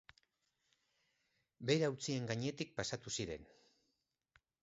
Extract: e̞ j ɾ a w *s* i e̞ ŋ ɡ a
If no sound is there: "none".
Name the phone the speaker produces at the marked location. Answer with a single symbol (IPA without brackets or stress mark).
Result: t͡s